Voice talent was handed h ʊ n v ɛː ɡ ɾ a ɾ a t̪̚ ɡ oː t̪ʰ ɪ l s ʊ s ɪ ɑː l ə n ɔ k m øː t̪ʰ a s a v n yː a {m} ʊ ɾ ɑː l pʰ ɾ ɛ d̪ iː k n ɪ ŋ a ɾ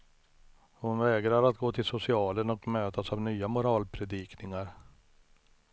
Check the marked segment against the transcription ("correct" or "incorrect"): correct